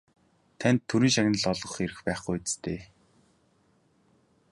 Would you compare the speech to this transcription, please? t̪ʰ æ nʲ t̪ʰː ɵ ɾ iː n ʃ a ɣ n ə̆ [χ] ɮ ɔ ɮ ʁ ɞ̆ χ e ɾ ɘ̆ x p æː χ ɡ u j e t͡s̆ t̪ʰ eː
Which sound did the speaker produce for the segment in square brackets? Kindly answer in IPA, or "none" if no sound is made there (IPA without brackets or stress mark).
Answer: none